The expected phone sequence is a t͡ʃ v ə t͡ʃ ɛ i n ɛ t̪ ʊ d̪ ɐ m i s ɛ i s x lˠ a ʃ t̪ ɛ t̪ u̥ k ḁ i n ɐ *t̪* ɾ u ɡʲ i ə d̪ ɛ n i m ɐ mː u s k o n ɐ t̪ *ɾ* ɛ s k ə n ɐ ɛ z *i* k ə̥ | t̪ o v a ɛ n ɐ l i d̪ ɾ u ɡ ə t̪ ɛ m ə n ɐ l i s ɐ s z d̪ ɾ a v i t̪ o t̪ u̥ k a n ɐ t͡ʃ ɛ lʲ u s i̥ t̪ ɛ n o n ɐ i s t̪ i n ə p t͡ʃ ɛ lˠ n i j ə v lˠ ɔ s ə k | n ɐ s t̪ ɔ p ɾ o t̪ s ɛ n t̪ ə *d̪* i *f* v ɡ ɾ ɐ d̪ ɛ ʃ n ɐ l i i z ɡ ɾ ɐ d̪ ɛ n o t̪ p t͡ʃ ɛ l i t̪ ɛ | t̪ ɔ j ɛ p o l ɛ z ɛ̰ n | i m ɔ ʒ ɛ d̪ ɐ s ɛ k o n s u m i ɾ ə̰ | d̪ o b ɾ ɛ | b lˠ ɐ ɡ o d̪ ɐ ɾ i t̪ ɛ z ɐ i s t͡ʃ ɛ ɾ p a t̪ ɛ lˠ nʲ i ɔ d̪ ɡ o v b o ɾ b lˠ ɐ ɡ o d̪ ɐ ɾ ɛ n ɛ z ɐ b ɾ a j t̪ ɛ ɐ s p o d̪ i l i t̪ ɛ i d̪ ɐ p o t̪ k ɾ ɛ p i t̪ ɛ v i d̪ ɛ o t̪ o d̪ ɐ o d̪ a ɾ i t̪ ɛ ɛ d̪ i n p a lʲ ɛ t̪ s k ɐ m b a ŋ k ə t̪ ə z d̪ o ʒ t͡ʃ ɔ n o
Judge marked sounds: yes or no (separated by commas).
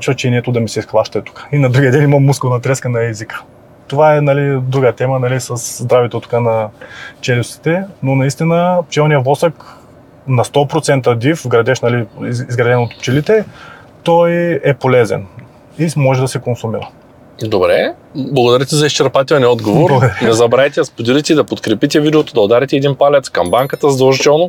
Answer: no, yes, yes, yes, yes